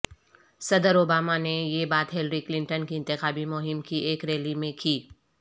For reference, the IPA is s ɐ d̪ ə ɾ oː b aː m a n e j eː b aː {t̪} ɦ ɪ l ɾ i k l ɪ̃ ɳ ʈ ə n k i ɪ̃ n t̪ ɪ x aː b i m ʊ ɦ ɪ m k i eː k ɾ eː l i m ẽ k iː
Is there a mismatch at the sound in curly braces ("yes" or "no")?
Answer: no